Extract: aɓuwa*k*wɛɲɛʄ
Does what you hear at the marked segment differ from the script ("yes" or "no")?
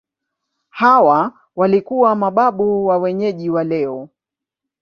yes